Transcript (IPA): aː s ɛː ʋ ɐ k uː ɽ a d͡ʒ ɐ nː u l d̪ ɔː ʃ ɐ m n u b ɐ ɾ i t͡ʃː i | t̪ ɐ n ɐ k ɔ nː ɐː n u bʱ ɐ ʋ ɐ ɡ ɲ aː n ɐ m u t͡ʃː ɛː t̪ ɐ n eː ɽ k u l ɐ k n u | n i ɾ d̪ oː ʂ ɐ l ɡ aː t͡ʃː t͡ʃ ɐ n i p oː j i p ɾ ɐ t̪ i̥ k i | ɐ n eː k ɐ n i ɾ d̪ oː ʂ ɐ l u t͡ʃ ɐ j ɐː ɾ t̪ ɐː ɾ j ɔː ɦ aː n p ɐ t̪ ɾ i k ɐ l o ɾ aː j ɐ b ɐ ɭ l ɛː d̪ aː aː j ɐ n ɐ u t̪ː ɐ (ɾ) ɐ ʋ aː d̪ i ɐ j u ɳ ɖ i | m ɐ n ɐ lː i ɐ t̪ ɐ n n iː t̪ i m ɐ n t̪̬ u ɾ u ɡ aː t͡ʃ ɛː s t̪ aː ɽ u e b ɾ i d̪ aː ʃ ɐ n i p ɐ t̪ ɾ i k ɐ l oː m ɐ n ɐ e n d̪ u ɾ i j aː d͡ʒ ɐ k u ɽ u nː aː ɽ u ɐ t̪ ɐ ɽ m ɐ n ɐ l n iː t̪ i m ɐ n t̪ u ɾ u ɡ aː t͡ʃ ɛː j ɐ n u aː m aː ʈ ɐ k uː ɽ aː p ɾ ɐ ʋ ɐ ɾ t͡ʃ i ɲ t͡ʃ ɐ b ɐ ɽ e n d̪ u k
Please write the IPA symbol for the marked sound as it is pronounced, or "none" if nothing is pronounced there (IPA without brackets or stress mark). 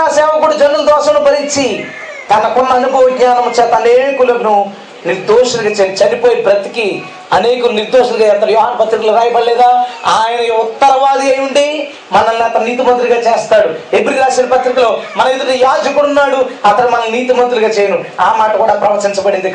ɾ